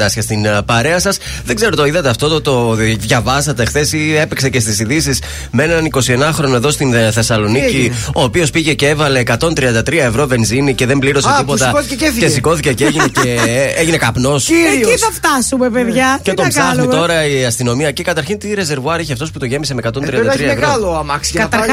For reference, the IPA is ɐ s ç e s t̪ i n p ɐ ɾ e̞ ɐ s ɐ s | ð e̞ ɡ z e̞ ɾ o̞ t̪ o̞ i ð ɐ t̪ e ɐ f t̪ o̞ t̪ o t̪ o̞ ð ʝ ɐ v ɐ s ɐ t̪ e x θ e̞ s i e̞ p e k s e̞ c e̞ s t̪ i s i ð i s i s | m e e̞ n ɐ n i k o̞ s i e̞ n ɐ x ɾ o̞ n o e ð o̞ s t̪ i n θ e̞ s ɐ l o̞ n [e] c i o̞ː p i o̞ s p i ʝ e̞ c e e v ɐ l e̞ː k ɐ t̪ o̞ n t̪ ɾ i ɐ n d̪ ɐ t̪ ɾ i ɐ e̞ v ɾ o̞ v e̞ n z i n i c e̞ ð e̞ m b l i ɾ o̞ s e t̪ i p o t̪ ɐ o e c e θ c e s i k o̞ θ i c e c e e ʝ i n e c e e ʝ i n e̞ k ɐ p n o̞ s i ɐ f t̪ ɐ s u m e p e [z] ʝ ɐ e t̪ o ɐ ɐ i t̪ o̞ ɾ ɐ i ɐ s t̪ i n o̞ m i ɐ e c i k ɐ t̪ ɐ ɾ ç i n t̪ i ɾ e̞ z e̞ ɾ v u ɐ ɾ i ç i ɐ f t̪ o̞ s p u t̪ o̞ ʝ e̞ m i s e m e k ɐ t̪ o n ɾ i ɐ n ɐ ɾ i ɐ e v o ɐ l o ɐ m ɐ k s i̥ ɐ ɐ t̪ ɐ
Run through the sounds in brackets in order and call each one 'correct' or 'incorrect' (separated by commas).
incorrect, incorrect